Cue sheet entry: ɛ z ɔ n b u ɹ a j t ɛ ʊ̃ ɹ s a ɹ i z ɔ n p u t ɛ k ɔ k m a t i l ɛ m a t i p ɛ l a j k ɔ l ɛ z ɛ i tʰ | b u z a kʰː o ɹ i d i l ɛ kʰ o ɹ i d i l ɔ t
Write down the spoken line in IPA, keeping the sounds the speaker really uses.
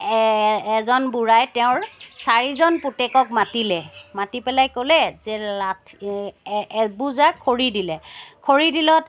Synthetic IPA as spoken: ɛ z ɔ n b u ɹ a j t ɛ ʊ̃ ɹ s a ɹ i z ɔ n p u t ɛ k ɔ k m a t i l ɛ m a t i p ɛ l a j k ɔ l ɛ z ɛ a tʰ | b u z a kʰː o ɹ i d i l ɛ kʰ o ɹ i d i l ɔ t